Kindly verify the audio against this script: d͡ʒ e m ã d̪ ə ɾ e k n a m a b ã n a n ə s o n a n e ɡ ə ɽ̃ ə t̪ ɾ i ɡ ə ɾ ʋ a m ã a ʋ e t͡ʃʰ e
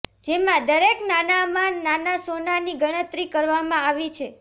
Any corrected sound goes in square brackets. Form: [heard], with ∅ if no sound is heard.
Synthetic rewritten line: d͡ʒ e m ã d̪ ə ɾ e k n a [n] a [m] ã n a n [a] s o n a n [i] ɡ ə ɽ̃ ə t̪ ɾ i [k] ə ɾ ʋ a m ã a ʋ [i] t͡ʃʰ e